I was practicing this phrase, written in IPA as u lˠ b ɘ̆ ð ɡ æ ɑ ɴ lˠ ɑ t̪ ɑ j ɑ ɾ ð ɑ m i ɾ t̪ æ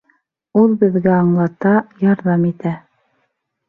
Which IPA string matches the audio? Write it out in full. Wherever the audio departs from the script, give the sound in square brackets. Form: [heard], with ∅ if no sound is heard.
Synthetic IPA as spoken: u lˠ b ɘ̆ ð ɡ æ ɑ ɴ lˠ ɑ t̪ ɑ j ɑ ɾ ð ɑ m i [∅] t̪ æ